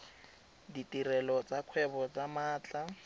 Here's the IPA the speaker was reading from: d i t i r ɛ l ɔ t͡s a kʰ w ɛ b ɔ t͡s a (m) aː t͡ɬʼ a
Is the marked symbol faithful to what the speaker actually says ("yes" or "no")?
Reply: yes